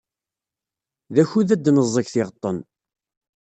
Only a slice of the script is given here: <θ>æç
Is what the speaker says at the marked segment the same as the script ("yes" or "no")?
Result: no